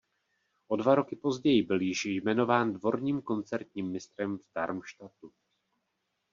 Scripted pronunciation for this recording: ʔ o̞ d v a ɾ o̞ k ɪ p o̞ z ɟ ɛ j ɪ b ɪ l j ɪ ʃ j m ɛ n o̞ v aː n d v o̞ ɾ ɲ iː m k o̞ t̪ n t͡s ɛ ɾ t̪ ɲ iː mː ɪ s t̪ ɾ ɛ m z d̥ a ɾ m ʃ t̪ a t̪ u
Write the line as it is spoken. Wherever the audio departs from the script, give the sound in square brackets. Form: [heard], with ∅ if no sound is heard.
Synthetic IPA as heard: ʔ o̞ d v a ɾ o̞ k ɪ p o̞ z ɟ ɛ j ɪ b ɪ l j ɪ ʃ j m ɛ n o̞ v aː n d v o̞ ɾ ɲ iː m k o̞ [∅] n t͡s ɛ ɾ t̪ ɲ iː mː ɪ s t̪ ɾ ɛ m [v] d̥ a ɾ m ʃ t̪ a t̪ u